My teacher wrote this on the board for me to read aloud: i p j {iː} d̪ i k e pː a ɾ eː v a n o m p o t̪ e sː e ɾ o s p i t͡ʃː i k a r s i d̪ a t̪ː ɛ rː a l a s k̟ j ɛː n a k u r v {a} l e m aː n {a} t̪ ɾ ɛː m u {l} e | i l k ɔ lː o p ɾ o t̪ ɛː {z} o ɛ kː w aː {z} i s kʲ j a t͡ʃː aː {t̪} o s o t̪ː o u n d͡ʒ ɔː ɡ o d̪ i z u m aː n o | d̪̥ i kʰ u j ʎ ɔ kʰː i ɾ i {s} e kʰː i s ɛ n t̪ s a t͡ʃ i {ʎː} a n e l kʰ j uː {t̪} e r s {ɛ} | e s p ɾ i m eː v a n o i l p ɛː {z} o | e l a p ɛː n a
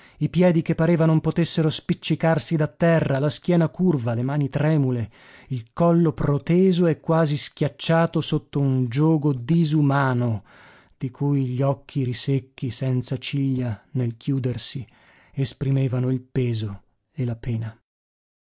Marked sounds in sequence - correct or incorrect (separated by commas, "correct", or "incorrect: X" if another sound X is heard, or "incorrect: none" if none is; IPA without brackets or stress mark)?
incorrect: ɛː, correct, incorrect: i, correct, correct, correct, correct, correct, correct, incorrect: d̪, incorrect: i, correct